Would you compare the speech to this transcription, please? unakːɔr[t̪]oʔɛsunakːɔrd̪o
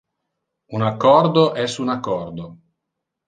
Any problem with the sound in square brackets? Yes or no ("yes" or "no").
yes